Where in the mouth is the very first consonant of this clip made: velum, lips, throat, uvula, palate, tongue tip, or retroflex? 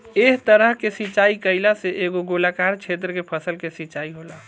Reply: throat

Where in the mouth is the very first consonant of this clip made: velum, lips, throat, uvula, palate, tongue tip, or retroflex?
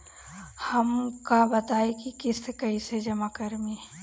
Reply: throat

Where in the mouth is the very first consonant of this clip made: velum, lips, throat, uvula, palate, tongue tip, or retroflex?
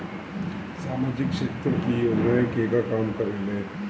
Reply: tongue tip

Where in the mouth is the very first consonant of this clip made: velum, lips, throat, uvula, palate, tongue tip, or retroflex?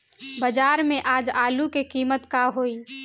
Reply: lips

